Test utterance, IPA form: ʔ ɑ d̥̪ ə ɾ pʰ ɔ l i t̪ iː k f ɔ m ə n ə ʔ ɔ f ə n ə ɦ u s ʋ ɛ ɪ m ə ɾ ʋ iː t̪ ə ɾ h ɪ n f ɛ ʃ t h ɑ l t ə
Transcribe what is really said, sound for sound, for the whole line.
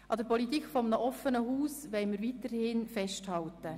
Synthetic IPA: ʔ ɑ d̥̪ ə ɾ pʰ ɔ l i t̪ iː k f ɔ m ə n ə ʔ ɔ f ə n ə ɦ uː s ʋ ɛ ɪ m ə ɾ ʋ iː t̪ ə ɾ h ɪ n f ɛ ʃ t h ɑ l t ə